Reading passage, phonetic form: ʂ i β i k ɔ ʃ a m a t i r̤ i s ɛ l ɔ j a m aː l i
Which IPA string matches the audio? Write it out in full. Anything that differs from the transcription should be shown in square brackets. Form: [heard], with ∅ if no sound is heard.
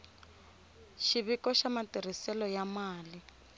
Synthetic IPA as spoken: [ʃ] i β i k ɔ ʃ a m a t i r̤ i s ɛ l ɔ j a m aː l i

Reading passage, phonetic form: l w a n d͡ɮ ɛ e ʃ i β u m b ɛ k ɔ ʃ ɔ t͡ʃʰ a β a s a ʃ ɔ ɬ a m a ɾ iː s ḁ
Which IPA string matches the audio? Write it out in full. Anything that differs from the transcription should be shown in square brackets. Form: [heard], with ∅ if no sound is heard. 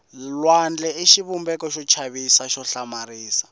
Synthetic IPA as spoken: l w a n d͡ɮ ɛ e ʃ i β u m b ɛ k ɔ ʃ ɔ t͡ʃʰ a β [i] s a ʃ ɔ ɬ a m a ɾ iː s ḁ

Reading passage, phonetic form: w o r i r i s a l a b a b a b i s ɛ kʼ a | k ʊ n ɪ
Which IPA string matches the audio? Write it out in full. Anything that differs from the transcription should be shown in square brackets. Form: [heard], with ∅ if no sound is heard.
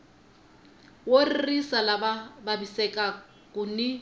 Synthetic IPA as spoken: w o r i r i s a l a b a b a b i s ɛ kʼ a | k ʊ n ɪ

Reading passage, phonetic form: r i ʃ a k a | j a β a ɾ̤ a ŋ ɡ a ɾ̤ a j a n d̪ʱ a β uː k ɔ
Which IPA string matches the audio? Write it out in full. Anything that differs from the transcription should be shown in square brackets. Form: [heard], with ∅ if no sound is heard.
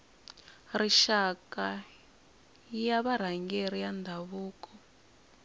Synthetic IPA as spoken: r i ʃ a k a | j a β a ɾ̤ a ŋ ɡ [e] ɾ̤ [i] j a n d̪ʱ a β uː k ɔ

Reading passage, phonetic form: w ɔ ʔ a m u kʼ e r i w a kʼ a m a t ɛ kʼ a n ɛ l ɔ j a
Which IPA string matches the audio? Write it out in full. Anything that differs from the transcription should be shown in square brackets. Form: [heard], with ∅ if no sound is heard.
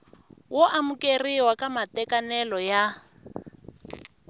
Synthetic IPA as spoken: w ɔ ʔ a m u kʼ e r i w a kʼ a m a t ɛ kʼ a n ɛ l ɔ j a

